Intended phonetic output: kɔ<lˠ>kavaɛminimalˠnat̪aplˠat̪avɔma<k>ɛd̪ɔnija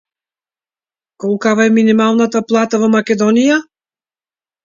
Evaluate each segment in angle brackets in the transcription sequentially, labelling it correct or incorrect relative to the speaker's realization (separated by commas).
correct, correct